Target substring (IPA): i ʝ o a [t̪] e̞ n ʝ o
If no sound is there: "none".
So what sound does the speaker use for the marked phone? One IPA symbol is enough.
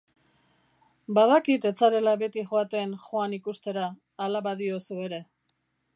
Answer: t̪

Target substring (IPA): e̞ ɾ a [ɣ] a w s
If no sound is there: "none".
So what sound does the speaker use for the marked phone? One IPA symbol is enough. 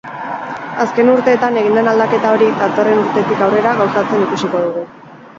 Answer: ɣ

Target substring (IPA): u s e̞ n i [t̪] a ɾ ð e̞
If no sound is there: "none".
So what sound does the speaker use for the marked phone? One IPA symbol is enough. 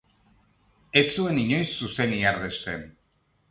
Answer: none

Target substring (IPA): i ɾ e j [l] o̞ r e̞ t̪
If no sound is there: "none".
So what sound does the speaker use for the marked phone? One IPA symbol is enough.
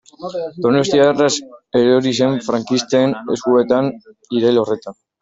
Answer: l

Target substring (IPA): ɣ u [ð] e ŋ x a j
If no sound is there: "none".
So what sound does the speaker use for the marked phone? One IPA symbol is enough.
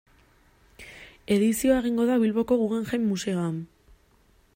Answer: ɣ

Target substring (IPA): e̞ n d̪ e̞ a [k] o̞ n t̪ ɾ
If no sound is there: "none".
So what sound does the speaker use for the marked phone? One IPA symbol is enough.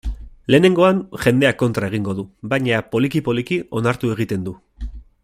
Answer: k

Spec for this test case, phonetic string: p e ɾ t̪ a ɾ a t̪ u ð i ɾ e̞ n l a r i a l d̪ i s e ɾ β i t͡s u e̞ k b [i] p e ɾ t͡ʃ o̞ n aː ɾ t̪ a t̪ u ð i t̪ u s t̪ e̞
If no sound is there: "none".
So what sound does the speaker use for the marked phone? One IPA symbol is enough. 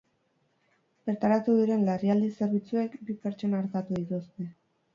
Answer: i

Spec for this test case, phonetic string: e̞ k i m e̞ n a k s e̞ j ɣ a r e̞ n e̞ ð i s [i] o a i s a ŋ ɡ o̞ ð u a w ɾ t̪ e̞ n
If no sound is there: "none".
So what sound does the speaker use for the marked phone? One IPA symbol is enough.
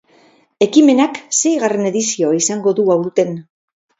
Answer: i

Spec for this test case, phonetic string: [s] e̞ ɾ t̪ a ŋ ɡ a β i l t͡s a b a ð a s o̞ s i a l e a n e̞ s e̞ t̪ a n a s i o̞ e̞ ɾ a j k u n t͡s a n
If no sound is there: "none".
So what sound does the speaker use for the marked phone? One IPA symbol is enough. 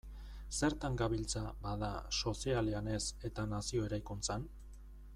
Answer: s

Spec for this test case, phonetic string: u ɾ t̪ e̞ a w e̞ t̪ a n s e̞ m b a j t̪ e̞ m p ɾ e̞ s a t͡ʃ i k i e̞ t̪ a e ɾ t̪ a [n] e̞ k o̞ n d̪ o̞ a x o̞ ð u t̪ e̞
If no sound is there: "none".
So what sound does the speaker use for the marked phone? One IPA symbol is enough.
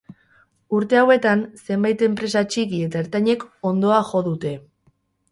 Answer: ɲ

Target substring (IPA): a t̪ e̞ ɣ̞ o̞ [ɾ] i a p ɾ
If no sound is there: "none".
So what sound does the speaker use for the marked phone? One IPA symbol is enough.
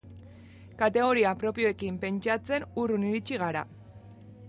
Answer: ɾ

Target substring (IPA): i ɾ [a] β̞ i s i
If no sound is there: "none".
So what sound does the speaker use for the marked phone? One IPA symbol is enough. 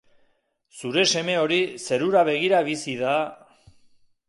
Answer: a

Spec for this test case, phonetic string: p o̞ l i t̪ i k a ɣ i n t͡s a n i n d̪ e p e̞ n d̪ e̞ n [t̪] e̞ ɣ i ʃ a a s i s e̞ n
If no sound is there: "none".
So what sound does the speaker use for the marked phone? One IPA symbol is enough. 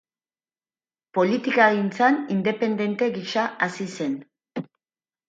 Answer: t̪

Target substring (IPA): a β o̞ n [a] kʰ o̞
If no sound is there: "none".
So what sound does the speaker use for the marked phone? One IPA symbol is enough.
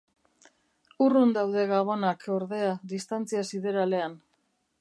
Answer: a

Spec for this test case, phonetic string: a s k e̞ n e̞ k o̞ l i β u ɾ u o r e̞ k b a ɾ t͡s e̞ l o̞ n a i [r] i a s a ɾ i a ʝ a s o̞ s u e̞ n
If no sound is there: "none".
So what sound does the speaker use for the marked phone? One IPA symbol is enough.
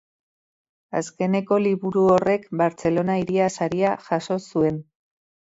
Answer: ɾ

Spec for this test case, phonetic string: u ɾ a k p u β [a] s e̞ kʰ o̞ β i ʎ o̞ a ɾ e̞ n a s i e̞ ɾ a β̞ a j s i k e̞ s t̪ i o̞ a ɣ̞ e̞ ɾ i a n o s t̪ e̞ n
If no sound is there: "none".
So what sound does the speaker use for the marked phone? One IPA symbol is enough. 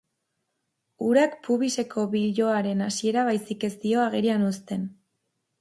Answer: i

